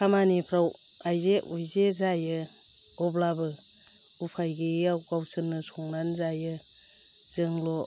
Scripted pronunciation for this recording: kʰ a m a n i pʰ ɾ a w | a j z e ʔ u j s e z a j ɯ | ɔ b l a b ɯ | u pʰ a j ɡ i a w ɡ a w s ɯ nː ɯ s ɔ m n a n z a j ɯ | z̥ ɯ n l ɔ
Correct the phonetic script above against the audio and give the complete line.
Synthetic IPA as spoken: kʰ a m a n i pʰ ɾ a w | a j z e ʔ u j z e z a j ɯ | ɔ b l a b ɯ | u pʰ a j ɡ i a w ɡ a w s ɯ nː ɯ s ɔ ŋ n a n z a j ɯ | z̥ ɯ ŋ l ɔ